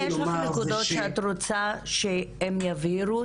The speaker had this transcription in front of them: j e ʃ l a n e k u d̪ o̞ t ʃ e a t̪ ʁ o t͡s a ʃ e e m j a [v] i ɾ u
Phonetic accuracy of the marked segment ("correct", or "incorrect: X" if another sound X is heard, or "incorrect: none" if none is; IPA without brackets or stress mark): correct